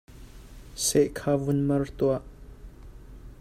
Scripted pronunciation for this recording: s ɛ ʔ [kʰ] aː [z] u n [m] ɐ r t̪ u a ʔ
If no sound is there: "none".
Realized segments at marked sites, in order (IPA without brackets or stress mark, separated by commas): kʰ, v, m